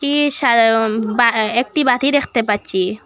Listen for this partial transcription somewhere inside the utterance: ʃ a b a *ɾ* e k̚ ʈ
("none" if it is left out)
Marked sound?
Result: none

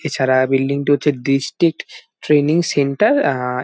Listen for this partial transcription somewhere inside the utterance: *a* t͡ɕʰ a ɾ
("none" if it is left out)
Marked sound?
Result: e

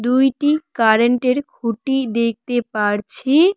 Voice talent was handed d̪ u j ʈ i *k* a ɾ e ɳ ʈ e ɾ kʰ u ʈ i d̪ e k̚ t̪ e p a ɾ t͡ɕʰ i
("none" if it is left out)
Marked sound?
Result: k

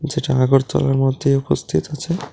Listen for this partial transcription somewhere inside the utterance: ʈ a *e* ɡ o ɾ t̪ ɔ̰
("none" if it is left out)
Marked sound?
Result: a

